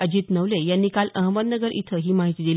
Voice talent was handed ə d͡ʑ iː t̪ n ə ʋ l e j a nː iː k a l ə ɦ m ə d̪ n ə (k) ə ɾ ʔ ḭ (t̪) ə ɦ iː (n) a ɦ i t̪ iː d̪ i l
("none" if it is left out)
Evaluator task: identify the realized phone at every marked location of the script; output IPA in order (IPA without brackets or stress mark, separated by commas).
ɡ, t̪ʰ, m